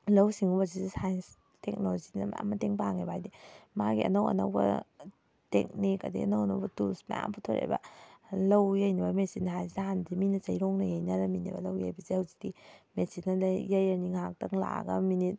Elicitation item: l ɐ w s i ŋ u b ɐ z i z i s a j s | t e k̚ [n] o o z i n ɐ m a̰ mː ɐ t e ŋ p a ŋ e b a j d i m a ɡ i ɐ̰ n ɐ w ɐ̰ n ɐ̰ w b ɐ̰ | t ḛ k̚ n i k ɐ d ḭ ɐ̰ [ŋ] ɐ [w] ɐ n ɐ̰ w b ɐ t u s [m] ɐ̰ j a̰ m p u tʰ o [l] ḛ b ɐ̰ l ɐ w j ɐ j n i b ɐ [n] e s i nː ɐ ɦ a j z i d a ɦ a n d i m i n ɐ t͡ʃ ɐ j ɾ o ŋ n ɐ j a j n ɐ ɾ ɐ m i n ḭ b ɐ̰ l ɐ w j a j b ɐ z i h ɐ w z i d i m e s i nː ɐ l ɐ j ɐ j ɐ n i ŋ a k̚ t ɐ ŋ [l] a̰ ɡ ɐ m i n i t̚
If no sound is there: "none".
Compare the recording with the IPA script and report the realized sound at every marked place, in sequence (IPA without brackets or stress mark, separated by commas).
n, n, w, m, ɾ, m, l